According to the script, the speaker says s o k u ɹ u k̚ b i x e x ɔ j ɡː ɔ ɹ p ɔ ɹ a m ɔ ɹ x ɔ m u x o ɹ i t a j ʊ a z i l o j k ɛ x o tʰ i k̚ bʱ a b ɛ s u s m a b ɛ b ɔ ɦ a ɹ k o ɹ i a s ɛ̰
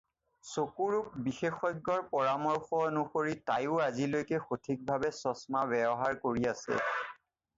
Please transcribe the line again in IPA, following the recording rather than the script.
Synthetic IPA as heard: s o k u ɹ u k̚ b i x e x ɔ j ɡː ɔ ɹ p ɔ ɹ a m ɔ ɹ x ɔ n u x o ɹ i t a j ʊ a z i l o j k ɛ x o tʰ i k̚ bʱ a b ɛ s ɔ s m a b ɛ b ɔ ɦ a ɹ k o ɹ i a s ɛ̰